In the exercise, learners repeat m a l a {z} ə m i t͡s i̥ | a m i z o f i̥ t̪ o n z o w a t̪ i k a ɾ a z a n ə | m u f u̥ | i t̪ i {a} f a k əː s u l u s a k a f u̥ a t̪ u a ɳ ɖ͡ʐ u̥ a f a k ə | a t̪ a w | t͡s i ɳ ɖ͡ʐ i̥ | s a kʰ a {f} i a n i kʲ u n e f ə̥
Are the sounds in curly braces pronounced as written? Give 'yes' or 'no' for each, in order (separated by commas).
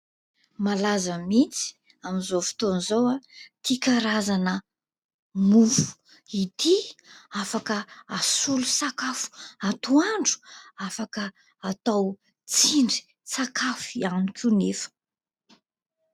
yes, yes, yes